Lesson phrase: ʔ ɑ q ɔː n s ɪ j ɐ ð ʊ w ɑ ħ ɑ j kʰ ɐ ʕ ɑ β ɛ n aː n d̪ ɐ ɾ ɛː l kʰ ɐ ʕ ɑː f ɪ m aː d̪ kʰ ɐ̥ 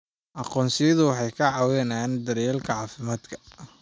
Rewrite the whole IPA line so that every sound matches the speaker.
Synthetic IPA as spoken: ʔ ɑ q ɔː n s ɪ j ɐ ð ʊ w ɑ ħ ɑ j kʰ ɐ ʕ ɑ w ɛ n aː n d̪ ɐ ɾ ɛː l kʰ ɐ ʕ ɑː f ɪ m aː d̪ kʰ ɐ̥